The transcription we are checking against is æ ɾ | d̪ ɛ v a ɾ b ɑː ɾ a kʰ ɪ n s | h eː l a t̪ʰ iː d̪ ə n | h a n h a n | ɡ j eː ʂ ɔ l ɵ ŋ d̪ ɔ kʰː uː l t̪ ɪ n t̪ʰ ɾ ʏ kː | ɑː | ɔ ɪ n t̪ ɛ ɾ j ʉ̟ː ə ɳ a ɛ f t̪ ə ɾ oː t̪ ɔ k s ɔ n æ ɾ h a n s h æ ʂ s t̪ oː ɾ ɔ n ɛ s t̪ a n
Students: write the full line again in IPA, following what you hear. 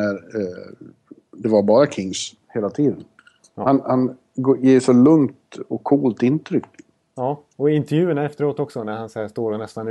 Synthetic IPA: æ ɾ | d̪ ɛ v a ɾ b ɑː ɾ a kʰ ɪ ŋ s | h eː l a t̪ʰ iː d̪ ə n | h a n h a n | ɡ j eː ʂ ɔ l ɵ ŋ t̪ ɔ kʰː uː l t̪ ɪ n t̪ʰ ɾ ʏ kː | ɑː | ɔ ɪ n t̪ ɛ ɾ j ʉ̟ː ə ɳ a ɛ f t̪ ə ɾ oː t̪ ɔ k s ɔ n æ ɾ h a n s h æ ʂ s t̪ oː ɾ ɔ n ɛ s t̪ a n